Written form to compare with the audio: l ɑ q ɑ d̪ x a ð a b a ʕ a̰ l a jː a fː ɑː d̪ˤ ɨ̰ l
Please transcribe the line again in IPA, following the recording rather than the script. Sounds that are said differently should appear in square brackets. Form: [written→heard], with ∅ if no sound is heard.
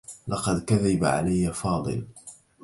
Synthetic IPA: l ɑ q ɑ d̪ [x→k] a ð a b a ʕ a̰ l a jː a [fː→f] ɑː d̪ˤ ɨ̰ l